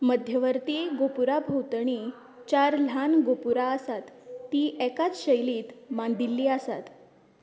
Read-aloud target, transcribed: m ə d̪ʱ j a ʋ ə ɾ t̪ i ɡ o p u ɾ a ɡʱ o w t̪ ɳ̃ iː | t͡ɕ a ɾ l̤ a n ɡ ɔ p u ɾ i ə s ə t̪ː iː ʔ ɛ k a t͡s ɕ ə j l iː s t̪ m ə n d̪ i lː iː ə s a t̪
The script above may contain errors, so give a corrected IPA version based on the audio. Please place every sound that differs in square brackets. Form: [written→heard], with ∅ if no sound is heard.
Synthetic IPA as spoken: m ə d̪ʱ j [a→ə] ʋ ə ɾ t̪ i ɡ o p u ɾ a [ɡʱ→bʱ] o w t̪ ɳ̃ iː | t͡ɕ a ɾ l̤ a n ɡ [ɔ→o] p u ɾ [i→a] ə s [ə→a] t̪ː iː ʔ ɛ k a t͡s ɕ ə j l iː [s→∅] t̪ m [ə→a] n d̪ i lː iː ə s a t̪